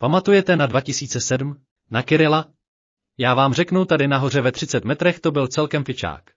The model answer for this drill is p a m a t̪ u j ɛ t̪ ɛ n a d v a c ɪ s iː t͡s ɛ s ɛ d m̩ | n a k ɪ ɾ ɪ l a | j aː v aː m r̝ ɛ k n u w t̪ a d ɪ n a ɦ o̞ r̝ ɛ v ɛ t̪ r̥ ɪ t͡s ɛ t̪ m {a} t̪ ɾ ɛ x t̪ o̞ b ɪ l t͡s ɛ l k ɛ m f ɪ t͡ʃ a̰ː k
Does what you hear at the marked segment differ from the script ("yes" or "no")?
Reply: yes